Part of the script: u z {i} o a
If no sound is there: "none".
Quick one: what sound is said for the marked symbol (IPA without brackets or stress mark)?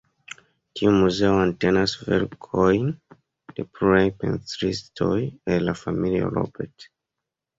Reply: e